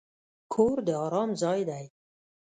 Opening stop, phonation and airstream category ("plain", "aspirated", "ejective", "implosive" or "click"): aspirated